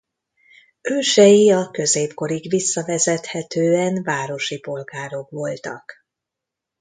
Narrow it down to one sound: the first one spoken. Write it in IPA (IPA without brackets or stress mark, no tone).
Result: øː